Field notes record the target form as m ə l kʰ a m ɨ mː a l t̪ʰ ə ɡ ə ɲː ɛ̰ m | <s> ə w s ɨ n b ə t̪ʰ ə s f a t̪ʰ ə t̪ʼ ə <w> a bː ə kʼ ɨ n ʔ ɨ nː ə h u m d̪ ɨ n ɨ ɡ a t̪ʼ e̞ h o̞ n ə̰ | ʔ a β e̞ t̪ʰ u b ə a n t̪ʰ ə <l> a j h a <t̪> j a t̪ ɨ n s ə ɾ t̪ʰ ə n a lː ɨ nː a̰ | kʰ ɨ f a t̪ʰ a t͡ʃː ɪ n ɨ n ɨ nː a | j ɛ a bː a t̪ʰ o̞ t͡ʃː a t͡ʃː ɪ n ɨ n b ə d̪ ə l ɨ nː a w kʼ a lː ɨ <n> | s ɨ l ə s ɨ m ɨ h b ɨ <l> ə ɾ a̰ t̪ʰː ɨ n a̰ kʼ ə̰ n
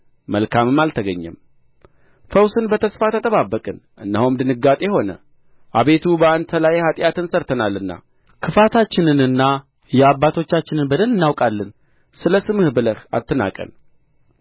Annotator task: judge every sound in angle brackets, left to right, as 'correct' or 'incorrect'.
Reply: incorrect, incorrect, correct, incorrect, correct, correct

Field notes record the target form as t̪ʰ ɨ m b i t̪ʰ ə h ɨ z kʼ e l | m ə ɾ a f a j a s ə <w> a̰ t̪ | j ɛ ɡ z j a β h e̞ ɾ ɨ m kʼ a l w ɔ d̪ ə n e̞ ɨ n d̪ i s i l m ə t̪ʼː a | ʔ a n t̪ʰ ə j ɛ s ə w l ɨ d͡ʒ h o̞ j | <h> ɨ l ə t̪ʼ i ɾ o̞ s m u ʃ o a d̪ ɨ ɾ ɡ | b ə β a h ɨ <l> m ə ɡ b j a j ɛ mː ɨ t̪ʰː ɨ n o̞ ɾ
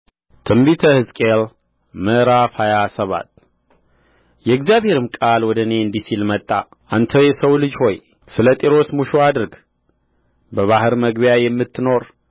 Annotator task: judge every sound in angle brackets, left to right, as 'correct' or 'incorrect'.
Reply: incorrect, incorrect, incorrect

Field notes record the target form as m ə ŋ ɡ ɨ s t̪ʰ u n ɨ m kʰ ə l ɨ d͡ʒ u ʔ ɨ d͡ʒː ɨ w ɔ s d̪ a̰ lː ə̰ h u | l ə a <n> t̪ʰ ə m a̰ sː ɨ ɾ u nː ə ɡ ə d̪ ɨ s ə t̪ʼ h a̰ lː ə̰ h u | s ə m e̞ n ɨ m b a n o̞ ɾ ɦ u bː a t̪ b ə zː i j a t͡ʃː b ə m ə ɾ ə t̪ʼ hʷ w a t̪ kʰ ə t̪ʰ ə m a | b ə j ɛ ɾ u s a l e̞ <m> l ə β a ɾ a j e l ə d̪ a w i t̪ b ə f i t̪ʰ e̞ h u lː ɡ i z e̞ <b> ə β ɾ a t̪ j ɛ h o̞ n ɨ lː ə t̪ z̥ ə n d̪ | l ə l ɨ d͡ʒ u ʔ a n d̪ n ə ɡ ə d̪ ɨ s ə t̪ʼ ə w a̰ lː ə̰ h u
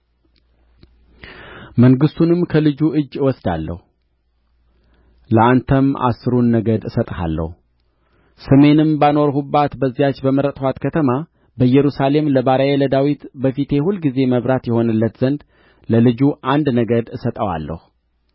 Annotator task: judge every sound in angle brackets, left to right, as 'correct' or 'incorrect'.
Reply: correct, correct, incorrect

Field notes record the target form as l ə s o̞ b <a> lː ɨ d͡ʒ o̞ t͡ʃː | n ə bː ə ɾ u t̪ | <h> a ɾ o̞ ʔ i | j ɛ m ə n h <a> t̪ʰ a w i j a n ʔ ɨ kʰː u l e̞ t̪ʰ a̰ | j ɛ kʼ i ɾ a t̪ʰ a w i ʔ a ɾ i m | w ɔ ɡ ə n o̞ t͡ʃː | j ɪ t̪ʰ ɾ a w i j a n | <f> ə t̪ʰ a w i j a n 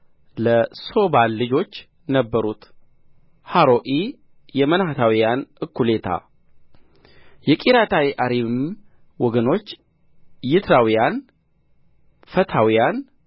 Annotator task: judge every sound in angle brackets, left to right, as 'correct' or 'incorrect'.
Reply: correct, correct, correct, correct

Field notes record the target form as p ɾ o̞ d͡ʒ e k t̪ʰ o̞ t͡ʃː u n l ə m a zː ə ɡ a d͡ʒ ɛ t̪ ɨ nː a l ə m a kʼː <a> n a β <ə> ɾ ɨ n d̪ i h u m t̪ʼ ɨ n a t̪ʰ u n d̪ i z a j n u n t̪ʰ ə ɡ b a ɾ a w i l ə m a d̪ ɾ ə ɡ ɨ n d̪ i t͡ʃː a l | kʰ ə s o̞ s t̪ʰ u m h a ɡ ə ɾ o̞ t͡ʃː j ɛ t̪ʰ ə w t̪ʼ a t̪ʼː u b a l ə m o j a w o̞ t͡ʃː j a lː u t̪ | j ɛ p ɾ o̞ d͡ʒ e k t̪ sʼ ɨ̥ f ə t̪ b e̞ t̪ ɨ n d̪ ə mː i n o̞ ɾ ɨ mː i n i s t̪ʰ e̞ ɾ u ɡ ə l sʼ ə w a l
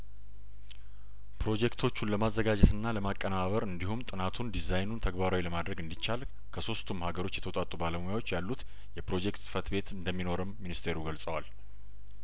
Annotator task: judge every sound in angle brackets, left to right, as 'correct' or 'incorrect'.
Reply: incorrect, correct

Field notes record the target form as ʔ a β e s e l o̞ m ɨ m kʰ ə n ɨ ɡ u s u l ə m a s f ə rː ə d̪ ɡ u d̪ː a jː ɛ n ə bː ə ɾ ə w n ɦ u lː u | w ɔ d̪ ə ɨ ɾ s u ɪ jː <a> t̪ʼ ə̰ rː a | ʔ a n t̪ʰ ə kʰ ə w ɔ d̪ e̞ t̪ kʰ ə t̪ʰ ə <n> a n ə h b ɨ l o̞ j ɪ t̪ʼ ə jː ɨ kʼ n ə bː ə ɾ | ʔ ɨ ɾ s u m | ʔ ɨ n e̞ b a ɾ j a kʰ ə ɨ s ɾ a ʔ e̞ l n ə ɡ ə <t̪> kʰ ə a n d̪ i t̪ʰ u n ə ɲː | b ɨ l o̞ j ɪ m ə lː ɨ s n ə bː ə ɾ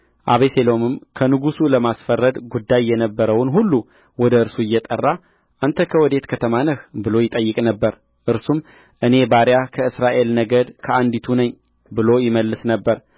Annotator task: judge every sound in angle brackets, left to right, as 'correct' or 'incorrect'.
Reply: incorrect, incorrect, incorrect

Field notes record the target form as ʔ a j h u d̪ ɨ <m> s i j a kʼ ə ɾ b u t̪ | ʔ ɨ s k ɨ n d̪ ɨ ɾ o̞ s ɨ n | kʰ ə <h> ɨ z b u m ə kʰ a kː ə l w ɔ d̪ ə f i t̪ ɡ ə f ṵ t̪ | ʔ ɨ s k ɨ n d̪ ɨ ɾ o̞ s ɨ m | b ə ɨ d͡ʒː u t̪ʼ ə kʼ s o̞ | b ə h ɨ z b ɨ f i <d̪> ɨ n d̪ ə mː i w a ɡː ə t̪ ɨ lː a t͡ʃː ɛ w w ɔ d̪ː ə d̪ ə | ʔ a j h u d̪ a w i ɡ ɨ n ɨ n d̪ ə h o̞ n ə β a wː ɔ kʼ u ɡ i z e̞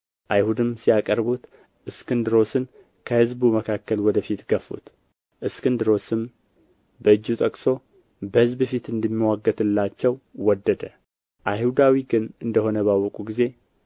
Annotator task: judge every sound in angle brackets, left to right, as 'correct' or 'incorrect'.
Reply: correct, correct, incorrect

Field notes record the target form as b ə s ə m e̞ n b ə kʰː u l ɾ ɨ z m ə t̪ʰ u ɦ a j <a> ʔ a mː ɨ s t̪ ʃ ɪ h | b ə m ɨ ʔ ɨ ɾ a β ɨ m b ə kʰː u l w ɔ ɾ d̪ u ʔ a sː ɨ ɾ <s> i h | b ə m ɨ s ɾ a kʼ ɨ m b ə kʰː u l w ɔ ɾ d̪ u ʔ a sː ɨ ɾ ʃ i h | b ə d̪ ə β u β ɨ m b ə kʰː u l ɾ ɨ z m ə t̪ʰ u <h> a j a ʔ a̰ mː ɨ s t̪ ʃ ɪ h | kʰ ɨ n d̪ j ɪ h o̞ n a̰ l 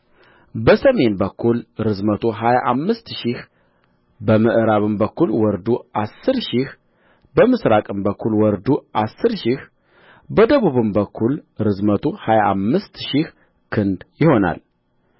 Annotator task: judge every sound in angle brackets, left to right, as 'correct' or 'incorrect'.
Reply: correct, incorrect, correct

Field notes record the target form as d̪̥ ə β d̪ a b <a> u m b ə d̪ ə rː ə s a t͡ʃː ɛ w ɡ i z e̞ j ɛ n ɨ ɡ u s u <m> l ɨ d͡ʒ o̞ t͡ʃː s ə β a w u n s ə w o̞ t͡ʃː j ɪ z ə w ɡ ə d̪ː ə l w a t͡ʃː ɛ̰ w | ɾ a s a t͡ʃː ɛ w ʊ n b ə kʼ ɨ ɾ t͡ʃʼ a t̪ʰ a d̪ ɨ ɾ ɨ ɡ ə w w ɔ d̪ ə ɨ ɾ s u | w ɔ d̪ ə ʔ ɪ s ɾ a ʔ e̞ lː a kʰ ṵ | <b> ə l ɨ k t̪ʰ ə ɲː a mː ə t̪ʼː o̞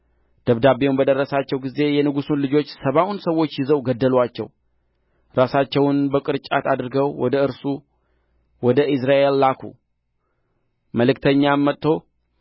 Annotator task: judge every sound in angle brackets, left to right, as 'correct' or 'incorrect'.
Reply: incorrect, incorrect, incorrect

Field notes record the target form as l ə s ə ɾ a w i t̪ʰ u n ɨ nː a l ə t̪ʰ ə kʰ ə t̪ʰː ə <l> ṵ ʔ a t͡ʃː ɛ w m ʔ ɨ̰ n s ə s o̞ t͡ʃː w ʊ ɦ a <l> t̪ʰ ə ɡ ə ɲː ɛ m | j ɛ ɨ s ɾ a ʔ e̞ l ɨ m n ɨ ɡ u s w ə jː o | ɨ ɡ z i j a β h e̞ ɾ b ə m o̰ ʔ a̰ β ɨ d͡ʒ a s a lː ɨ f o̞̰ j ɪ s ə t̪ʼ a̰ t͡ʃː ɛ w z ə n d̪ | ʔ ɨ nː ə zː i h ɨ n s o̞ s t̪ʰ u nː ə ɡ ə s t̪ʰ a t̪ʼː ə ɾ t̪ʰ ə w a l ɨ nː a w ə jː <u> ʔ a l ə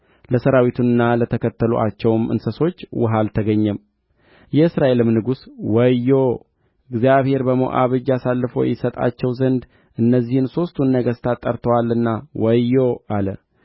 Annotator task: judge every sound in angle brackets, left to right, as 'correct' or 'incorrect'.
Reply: correct, correct, incorrect

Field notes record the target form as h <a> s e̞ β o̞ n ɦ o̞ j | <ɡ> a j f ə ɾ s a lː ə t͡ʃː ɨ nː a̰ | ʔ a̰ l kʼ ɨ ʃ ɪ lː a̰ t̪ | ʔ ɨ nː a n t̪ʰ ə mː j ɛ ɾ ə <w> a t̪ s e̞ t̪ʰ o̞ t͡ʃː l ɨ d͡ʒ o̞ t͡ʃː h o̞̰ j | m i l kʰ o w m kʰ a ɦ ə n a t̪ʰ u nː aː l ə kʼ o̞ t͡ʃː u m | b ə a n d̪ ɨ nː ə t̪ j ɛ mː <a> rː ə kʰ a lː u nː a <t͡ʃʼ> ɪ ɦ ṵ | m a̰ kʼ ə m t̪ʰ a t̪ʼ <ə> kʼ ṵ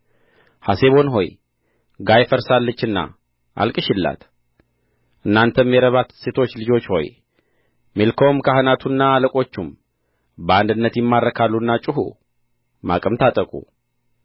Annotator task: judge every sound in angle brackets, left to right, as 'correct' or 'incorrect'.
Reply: correct, correct, incorrect, correct, correct, correct

